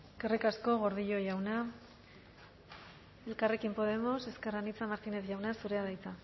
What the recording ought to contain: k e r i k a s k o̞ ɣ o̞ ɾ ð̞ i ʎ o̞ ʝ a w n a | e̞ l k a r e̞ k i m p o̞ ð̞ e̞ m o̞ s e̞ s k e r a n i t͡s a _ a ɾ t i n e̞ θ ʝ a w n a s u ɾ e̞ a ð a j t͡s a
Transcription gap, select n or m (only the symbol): m